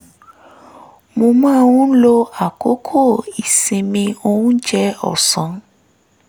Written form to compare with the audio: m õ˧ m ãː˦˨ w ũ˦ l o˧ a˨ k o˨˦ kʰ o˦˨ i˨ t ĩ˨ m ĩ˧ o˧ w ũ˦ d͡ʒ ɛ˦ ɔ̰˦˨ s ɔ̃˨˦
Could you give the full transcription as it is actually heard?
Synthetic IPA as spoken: m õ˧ m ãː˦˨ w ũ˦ l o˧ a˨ k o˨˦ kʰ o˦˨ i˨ s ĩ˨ m ĩ˧ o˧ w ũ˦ d͡ʒ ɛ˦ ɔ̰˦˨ s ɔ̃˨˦